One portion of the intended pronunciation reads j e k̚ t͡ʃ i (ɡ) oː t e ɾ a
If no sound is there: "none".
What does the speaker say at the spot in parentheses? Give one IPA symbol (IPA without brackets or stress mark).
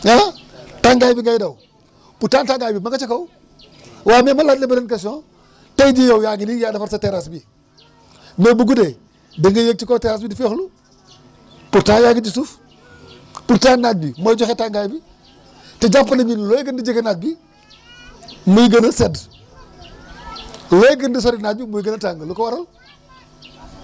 k